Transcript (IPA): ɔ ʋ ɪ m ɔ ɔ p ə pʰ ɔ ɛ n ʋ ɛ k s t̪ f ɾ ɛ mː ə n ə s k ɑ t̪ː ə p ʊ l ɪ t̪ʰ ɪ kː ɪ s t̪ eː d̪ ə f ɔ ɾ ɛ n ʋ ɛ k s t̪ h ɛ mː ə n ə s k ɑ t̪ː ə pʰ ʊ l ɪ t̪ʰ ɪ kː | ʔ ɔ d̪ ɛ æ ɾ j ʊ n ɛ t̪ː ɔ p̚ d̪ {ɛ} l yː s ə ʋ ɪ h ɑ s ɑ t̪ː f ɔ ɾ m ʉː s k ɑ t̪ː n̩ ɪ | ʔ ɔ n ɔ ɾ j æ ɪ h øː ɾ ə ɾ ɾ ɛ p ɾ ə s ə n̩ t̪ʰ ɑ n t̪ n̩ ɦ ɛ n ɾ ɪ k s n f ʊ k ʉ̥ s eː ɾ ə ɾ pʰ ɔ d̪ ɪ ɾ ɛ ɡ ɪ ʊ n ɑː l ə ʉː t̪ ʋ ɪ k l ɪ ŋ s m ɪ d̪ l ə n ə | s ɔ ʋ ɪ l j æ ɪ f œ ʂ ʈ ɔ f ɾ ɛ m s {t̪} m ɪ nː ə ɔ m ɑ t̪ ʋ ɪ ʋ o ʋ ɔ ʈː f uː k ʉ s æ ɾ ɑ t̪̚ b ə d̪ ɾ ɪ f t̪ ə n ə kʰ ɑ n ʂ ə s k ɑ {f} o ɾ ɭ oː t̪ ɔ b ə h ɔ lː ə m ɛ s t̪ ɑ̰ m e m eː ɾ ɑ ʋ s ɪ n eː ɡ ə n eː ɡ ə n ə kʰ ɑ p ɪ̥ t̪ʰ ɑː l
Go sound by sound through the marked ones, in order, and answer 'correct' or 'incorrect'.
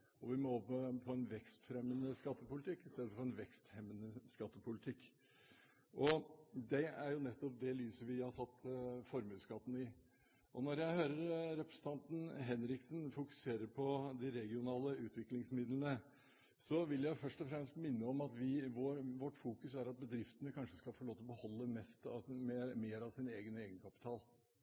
correct, correct, correct

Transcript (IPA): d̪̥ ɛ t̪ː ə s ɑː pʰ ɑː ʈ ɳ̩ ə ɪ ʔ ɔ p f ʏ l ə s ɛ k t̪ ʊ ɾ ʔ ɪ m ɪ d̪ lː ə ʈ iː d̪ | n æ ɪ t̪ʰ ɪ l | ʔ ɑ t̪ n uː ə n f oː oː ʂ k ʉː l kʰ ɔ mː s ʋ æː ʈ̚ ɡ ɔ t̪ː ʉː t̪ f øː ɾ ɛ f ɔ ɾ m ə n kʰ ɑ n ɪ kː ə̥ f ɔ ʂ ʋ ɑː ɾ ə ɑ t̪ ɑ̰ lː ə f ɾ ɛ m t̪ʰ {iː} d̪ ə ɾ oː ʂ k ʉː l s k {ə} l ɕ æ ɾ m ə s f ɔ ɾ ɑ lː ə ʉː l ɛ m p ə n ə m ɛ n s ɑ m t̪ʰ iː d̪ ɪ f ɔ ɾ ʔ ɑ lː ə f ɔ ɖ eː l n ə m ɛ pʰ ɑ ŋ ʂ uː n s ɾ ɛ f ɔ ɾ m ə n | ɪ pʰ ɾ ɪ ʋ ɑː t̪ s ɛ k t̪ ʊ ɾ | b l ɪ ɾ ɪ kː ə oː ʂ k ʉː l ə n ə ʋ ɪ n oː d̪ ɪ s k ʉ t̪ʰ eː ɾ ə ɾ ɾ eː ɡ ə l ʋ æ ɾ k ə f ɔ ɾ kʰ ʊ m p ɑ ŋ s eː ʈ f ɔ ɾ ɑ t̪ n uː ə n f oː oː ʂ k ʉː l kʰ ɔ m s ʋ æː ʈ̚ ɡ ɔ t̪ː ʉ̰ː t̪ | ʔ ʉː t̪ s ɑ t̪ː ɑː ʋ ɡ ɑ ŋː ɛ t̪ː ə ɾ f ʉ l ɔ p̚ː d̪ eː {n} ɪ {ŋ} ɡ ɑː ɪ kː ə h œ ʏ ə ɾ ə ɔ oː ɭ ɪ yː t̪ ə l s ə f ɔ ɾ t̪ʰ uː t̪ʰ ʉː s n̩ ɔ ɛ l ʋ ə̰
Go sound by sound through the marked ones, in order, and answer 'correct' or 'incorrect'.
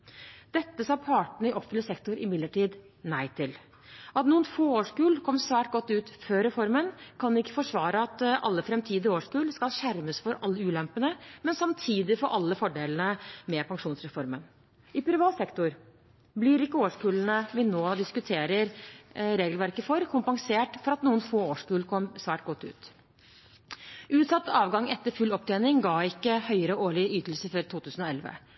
correct, incorrect, correct, correct

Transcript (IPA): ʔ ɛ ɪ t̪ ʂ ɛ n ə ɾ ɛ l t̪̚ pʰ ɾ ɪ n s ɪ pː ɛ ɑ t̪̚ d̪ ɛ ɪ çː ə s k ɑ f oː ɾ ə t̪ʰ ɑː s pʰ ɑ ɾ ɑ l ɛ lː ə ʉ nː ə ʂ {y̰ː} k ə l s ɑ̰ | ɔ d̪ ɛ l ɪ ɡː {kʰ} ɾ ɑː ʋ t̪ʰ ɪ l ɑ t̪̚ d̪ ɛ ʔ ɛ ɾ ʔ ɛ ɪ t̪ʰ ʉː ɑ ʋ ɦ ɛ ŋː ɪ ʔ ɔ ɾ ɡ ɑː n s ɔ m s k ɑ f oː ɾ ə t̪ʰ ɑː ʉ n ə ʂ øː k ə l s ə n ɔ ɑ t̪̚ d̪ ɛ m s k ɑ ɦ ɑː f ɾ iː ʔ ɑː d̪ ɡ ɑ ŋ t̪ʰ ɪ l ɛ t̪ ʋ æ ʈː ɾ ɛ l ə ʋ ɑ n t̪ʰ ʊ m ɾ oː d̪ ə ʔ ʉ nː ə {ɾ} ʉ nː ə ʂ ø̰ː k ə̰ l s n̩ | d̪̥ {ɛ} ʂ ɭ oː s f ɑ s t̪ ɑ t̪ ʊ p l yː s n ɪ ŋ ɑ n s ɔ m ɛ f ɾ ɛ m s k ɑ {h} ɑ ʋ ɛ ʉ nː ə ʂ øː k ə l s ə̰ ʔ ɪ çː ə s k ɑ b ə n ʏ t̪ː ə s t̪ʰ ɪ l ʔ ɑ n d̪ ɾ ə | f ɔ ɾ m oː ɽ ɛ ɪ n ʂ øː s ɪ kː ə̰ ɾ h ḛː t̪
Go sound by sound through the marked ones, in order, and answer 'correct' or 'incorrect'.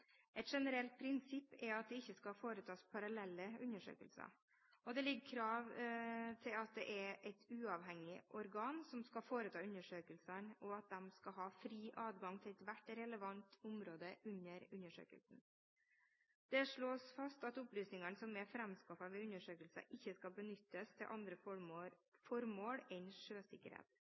incorrect, correct, correct, correct, incorrect

